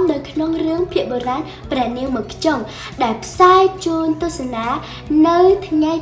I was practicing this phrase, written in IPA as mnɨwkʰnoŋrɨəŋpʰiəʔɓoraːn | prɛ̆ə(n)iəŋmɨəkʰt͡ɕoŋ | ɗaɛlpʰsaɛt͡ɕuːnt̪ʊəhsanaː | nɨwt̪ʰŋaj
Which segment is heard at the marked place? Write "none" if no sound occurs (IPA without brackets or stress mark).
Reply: n